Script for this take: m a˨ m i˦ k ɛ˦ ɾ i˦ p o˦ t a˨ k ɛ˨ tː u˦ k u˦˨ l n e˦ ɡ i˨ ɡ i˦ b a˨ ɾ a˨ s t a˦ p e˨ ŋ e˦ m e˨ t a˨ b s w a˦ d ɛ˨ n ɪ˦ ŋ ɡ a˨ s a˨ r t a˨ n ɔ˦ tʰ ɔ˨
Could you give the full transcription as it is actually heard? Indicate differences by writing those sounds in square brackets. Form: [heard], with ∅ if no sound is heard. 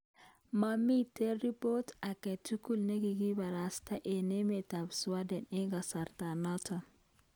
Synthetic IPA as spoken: m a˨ m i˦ [t] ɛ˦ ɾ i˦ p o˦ t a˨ k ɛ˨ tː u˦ k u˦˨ l n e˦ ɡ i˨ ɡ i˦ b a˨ ɾ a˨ s t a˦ [ʔ] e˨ [n] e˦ m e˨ t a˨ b s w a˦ d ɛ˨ n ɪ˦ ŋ ɡ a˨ s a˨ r t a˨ n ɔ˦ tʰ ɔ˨